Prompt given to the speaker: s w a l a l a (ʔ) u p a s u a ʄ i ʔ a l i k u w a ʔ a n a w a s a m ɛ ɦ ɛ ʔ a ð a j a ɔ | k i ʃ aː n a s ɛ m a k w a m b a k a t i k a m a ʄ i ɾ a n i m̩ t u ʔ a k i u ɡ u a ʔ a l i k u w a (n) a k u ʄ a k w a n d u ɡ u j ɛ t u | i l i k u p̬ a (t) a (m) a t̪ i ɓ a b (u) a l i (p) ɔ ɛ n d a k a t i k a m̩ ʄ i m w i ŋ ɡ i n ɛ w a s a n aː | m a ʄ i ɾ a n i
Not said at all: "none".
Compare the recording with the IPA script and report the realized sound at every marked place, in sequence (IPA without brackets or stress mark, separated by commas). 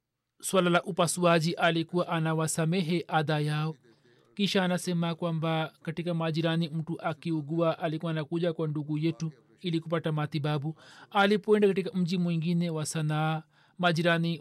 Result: ʔ, n, t, m, u, p